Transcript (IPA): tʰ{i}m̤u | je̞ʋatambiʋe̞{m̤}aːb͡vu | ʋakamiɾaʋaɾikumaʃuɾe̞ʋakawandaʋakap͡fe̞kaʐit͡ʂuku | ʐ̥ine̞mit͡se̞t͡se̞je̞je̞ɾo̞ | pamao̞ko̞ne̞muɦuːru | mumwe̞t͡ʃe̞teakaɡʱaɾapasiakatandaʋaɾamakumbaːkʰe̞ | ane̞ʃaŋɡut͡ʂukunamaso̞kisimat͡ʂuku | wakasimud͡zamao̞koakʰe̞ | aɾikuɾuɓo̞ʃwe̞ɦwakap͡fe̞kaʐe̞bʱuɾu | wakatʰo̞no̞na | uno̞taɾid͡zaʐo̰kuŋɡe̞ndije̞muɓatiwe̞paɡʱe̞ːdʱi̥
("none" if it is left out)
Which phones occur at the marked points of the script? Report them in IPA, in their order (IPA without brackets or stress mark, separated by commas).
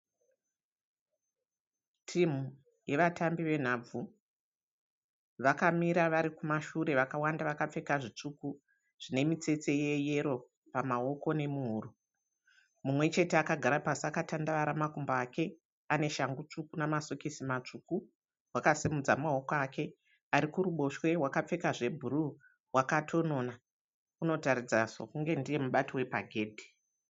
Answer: i, n̤